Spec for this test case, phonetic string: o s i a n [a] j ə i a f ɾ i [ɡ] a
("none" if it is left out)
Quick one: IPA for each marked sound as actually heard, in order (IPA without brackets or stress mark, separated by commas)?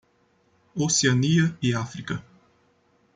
i, k